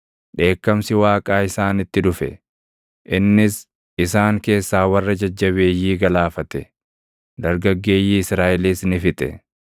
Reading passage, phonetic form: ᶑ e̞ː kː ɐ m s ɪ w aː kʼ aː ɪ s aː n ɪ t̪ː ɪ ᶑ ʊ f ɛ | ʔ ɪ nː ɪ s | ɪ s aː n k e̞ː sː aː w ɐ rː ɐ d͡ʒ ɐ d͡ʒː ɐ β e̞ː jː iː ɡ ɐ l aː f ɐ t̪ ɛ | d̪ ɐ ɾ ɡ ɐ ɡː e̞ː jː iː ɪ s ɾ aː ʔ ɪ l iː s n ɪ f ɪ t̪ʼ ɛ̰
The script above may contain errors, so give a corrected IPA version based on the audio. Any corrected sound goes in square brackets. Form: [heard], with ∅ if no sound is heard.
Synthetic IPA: ᶑ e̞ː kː ɐ m s ɪ w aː kʼ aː ɪ s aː n ɪ t̪ː ɪ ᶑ ʊ f ɛ | ʔ ɪ nː ɪ s | ɪ s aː [ŋ] k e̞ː sː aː w ɐ rː ɐ d͡ʒ ɐ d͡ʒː ɐ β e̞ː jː iː ɡ ɐ l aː f ɐ t̪ ɛ | d̪ ɐ ɾ ɡ ɐ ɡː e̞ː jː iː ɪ s ɾ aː ʔ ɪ l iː s n ɪ f ɪ t̪ʼ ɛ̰